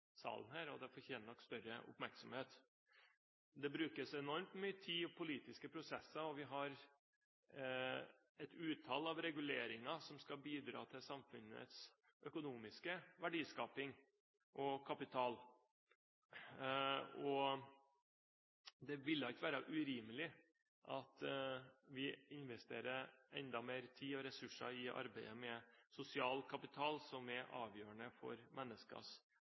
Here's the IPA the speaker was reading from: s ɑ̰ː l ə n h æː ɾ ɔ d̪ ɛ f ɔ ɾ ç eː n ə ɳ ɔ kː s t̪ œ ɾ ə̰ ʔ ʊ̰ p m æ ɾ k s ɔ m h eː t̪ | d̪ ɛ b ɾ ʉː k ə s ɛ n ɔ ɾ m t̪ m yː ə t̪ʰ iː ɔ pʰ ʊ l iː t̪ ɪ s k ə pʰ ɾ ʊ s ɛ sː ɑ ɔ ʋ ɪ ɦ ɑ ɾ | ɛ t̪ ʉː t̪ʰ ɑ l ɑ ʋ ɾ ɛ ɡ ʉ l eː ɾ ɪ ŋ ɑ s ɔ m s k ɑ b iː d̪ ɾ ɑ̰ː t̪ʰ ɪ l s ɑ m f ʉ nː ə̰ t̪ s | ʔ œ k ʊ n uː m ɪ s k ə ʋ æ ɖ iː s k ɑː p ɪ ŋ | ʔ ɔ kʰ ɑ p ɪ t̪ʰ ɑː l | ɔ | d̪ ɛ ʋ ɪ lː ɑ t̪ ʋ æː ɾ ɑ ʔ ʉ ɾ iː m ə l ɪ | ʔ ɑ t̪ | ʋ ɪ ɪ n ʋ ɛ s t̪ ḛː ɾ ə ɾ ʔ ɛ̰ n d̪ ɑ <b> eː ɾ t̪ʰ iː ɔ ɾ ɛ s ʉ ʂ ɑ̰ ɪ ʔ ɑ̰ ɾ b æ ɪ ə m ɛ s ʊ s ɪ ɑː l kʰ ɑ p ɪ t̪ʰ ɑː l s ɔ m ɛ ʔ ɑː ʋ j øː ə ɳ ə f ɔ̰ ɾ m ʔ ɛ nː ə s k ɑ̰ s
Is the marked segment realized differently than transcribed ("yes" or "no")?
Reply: yes